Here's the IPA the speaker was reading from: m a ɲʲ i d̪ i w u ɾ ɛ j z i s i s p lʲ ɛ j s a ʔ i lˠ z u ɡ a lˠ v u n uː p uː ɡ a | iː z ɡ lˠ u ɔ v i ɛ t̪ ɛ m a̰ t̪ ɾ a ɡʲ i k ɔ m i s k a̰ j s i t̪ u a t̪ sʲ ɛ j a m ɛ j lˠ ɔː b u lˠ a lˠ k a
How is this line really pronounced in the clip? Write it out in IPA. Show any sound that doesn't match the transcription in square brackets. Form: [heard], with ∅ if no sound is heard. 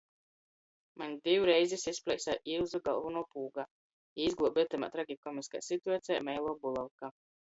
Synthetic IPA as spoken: m a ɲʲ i d̪ i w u ɾ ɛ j z i s i s p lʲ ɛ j s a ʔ i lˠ z u ɡ a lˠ v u n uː p uː ɡ a | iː z ɡ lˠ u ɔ [b] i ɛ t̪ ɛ m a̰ t̪ ɾ a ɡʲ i k ɔ m i s k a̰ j s i t̪ u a t̪ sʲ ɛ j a m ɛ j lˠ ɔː b u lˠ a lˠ k a